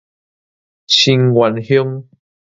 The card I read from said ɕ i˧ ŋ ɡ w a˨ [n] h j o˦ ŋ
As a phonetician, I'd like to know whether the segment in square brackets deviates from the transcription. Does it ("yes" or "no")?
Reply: no